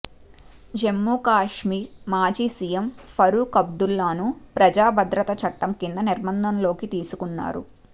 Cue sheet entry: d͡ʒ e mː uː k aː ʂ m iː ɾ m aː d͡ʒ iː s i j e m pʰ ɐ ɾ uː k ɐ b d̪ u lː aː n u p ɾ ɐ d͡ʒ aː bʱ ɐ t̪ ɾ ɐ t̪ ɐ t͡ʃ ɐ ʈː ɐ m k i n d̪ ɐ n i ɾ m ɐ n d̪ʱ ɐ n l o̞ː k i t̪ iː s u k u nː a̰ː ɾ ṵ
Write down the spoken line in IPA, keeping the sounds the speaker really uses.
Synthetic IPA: d͡ʒ e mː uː k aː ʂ m iː ɾ m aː d͡ʒ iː s i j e m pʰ ɐ ɾ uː k ɐ b d̪ u lː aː n u p ɾ ɐ d͡ʒ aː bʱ ɐ d̪ ɾ ɐ t̪ ɐ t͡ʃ ɐ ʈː ɐ m k i n d̪ ɐ n i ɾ m ɐ n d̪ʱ ɐ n l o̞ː k i t̪ iː s u k u nː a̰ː ɾ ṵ

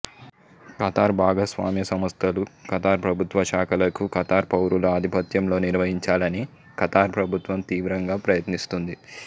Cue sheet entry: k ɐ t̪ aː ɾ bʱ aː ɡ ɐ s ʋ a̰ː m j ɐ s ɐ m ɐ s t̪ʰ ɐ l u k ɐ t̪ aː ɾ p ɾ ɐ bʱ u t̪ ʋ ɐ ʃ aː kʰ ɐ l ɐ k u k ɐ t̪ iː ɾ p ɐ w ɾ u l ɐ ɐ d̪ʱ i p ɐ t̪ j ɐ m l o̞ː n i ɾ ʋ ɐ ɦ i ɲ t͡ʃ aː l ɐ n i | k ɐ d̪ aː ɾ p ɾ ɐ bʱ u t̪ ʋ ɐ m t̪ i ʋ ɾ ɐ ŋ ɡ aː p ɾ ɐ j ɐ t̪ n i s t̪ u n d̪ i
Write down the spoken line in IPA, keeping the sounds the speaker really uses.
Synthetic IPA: k ɐ t̪ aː ɾ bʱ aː ɡ ɐ s ʋ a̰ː m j ɐ s ɐ m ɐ s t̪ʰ ɐ l u k ɐ t̪ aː ɾ p ɾ ɐ bʱ u t̪ ʋ ɐ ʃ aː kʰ ɐ l ɐ k u k ɐ t̪ aː ɾ p ɐ w ɾ u l ɐ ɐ d̪ʱ i p ɐ t̪ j ɐ m l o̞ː n i ɾ ʋ ɐ ɦ i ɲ t͡ʃ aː l ɐ n i | k ɐ t̪ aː ɾ p ɾ ɐ bʱ u t̪ ʋ ɐ m t̪ iː ʋ ɾ ɐ ŋ ɡ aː p ɾ ɐ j ɐ t̪ n i s t̪ u n d̪ i

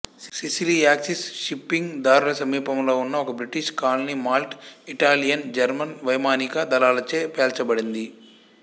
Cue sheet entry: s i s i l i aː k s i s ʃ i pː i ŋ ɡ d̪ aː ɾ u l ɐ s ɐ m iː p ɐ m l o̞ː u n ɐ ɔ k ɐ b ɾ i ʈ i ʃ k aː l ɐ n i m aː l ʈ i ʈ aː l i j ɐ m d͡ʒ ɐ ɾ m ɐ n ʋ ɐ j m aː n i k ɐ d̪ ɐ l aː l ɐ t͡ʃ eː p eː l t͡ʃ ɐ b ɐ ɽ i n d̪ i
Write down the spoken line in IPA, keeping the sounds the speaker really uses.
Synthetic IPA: s i s i l i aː k s i s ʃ i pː i ŋ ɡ d̪ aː ɾ u l ɐ s ɐ m iː p ɐ m l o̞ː u nː ɐ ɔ k ɐ b ɾ i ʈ i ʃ k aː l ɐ n i m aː l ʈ i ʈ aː l i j ɐ n d͡ʒ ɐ ɾ m ɐ n ʋ ɐ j m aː n i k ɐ d̪ ɐ l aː l ɐ t͡ʃ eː p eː l t͡ʃ ɐ b ɐ ɽ i n d̪ i

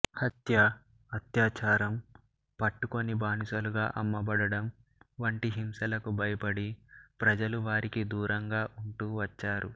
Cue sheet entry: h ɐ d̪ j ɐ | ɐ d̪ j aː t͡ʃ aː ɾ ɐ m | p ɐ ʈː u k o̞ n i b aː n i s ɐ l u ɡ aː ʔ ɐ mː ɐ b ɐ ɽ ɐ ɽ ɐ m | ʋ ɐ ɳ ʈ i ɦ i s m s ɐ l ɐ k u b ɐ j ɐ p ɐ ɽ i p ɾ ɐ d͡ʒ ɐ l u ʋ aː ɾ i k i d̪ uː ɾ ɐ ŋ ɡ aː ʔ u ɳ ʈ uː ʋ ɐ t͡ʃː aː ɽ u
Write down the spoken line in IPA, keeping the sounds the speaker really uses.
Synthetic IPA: h ɐ t̪ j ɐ | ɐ t̪ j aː t͡ʃ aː ɾ ɐ m | p ɐ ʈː u k o̞ n i b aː n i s ɐ l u ɡ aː ʔ ɐ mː ɐ b ɐ ɽ ɐ ɽ ɐ m | ʋ ɐ ɳ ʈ i ɦ i m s ɐ l ɐ k u b ɐ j ɐ p ɐ ɽ i p ɾ ɐ d͡ʒ ɐ l u ʋ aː ɾ i k i d̪ uː ɾ ɐ ŋ ɡ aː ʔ u ɳ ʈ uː ʋ ɐ t͡ʃː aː ɾ u

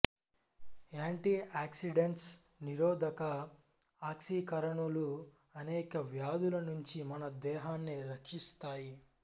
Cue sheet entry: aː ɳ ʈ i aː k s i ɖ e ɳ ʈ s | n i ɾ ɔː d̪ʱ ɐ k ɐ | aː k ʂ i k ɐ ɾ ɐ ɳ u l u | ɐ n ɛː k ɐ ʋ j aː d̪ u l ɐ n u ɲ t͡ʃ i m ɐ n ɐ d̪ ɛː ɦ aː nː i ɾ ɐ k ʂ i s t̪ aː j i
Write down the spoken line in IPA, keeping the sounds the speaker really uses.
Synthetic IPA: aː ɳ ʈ i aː k s i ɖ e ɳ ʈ s | n i ɾ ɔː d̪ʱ ɐ k ɐ | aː k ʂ i k ɐ ɾ ɐ ɳ u l u | ɐ n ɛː k ɐ ʋ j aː d̪ u l ɐ n u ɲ t͡ʃ i m ɐ n ɐ d̪ ɛː ɦ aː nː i ɾ ɐ k ʂ i s t̪ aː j i

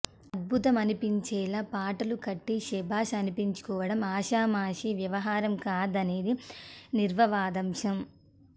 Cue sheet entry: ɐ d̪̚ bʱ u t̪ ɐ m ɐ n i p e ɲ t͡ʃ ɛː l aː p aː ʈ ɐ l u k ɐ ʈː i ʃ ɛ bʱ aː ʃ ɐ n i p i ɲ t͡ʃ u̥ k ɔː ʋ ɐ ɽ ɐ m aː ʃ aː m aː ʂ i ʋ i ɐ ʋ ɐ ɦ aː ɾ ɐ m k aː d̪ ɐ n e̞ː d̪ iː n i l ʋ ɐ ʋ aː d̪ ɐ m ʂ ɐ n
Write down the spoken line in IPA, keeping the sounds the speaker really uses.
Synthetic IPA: ɐ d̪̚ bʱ u t̪ ɐ m ɐ n i p i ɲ t͡ʃ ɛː l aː p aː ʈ ɐ l u k ɐ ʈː i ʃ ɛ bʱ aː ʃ ɐ n i p i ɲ t͡ʃ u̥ k ɔː ʋ ɐ ɽ ɐ m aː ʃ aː m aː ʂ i ʋ j ɐ ʋ ɐ ɦ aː ɾ ɐ m k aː d̪ ɐ n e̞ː d̪ i n i ɾ ʋ ɐ ʋ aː d̪ ɐ m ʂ ɐ m

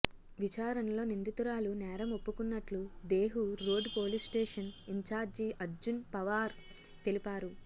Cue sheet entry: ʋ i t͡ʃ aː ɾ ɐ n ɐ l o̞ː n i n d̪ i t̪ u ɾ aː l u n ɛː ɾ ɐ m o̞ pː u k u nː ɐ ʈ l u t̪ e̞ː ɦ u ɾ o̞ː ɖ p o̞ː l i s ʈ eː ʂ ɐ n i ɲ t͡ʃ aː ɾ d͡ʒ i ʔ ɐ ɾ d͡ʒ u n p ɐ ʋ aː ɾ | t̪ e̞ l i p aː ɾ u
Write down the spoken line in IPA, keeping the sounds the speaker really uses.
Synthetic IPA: ʋ i t͡ʃ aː ɾ ɐ n ɐ l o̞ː n i n d̪ i t̪ u ɾ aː l u n ɛː ɾ ɐ m o̞ pː u k u nː ɐ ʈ l u d̪ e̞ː ɦ u ɾ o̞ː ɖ p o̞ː l i s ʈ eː ʂ ɐ n i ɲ t͡ʃ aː ɾ d͡ʒ i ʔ ɐ ɾ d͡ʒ u n p ɐ ʋ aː ɾ | t̪ e̞ l i p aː ɾ u

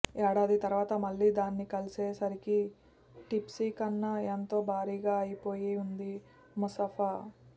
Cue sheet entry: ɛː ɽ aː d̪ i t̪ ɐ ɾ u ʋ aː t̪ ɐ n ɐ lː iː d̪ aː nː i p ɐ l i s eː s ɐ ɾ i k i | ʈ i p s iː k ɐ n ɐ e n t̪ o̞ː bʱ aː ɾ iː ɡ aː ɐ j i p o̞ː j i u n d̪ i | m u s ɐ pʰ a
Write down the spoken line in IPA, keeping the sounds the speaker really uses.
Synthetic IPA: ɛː ɽ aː d̪ i t̪ ɐ ɾ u ʋ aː t̪ ɐ m ɐ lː iː d̪ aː nː i k ɐ l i s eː s ɐ ɾ i k i | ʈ i p s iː k ɐ nː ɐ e n t̪ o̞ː bʱ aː ɾ iː ɡ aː ɐ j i p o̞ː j i u n d̪ i | m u s ɐ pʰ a

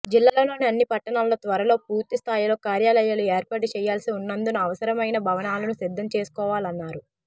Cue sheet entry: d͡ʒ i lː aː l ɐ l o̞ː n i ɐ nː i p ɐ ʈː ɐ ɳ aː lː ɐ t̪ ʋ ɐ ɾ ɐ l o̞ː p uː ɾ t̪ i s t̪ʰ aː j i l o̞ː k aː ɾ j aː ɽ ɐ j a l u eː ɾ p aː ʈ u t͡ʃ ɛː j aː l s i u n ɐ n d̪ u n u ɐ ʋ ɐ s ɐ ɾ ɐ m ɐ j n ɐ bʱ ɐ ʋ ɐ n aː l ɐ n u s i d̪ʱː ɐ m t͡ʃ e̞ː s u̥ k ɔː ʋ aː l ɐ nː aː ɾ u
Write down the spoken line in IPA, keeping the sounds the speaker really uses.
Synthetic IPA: d͡ʒ i lː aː l ɐ l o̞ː n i ɐ nː i p ɐ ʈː ɐ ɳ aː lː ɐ t̪ ʋ ɐ ɾ ɐ l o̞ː p uː ɾ t̪ i s t̪ʰ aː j i l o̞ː k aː ɾ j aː l ɐ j a l u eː ɾ p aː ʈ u t͡ʃ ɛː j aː l s i u nː ɐ n d̪ u n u ɐ ʋ ɐ s ɐ ɾ ɐ m ɐ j n ɐ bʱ ɐ ʋ ɐ n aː l ɐ n u s i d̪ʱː ɐ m t͡ʃ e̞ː s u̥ k ɔː ʋ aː l ɐ nː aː ɾ u

